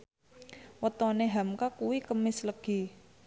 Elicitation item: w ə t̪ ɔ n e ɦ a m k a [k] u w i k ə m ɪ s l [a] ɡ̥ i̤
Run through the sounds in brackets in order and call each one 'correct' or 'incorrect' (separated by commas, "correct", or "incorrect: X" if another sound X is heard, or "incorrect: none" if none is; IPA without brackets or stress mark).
correct, incorrect: ə